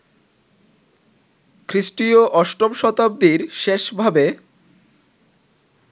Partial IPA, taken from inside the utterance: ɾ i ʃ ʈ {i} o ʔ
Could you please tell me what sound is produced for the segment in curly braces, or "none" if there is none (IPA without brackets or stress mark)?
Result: i